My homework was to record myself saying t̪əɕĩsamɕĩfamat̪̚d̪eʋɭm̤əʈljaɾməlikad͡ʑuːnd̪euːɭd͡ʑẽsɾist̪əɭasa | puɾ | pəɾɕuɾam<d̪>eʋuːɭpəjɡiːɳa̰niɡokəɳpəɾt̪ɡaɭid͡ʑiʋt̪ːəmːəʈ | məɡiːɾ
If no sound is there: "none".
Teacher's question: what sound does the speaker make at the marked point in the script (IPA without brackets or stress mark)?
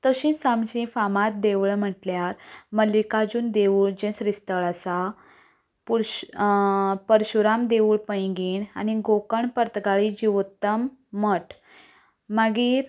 d̪